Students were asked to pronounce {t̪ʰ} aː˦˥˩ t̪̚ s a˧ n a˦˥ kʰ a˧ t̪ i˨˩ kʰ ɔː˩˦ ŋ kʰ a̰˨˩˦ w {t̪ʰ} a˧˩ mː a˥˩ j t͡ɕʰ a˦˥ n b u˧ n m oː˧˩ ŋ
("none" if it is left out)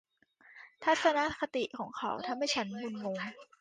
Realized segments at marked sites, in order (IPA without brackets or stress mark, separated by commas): t̪ʰ, t̪ʰ